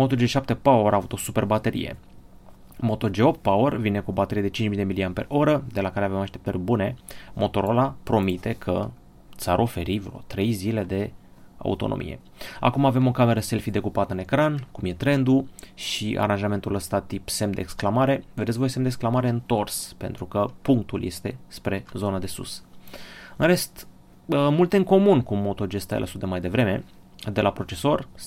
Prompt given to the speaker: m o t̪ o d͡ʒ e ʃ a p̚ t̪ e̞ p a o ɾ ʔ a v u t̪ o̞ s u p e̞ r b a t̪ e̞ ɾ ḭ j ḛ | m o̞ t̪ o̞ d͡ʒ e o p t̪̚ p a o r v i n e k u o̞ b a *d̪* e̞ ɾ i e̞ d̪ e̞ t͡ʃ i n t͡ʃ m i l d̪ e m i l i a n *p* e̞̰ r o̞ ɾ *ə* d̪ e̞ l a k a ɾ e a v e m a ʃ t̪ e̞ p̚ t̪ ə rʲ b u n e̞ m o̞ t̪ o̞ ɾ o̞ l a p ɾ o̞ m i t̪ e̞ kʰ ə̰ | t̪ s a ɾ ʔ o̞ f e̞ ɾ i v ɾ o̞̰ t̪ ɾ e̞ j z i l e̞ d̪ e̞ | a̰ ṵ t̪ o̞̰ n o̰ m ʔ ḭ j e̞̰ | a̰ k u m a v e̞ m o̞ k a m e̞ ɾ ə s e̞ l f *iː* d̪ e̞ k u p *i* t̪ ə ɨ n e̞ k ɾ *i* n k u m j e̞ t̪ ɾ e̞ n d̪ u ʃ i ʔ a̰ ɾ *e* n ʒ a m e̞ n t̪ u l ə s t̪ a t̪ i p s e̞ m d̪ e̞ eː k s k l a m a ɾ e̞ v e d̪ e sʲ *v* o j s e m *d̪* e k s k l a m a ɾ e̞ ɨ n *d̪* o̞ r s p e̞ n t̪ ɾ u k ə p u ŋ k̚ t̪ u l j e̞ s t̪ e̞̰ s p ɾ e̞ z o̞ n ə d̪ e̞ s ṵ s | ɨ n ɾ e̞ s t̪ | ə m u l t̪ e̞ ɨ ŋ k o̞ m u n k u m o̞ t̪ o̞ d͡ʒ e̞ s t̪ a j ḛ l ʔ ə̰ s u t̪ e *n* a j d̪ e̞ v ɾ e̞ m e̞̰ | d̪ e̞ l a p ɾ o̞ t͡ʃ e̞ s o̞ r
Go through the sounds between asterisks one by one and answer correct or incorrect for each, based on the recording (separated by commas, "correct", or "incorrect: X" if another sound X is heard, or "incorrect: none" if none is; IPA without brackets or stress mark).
incorrect: t̪, correct, correct, incorrect: i, incorrect: a, incorrect: a, incorrect: a, correct, correct, incorrect: t̪, incorrect: m